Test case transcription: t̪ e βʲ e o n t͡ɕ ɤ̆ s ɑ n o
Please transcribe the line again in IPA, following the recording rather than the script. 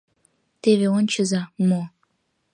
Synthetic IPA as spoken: t̪ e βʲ e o n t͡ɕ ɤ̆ z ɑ m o